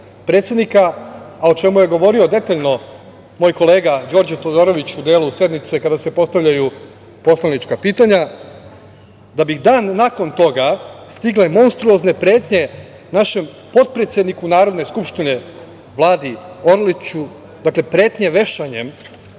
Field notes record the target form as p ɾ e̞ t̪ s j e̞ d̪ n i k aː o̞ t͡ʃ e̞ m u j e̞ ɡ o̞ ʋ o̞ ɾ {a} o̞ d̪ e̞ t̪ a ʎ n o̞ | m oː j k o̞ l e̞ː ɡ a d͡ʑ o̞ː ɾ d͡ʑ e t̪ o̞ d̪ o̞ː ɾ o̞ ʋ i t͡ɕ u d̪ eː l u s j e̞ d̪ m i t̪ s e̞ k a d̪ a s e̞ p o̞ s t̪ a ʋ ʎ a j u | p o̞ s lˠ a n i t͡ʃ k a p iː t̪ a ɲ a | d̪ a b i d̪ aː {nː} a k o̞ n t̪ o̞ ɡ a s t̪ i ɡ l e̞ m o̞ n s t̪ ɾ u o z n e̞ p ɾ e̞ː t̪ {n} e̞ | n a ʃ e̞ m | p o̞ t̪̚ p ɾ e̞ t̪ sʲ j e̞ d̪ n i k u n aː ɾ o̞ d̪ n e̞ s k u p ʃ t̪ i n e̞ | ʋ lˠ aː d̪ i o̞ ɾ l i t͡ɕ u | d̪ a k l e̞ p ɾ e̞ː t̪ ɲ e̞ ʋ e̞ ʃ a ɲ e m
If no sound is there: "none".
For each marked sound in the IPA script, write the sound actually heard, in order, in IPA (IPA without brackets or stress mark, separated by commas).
i, nː, ɲ